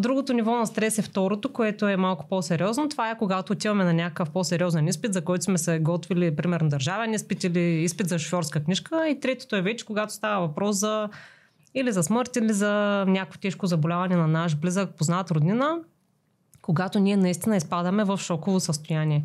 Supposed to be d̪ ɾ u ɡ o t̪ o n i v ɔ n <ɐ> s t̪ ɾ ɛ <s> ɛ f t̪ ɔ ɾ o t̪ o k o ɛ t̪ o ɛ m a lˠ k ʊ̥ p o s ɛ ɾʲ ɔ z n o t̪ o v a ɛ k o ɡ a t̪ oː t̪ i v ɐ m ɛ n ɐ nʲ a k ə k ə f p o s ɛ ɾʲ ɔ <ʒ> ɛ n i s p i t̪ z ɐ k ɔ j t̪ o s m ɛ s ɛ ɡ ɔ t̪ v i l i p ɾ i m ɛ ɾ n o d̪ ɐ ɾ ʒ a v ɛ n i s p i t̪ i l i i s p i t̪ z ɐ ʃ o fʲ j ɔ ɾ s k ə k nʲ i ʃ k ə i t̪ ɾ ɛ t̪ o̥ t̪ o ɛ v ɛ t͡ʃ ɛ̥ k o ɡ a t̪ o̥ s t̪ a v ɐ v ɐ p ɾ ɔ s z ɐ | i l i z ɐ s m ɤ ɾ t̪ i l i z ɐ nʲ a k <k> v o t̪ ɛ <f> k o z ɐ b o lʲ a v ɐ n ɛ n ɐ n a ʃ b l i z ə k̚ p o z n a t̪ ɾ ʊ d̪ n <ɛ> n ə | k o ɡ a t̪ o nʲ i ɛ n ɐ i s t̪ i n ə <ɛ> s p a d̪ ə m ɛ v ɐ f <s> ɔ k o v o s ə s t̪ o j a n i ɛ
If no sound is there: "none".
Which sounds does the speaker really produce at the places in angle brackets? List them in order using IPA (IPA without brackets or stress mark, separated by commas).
ɐ, s, z, k, ʃ, i, i, ʃ